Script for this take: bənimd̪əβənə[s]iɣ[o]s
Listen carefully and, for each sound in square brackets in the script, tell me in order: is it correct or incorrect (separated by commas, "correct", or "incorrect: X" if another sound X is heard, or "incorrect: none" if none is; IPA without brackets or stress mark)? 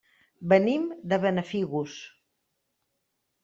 incorrect: f, incorrect: u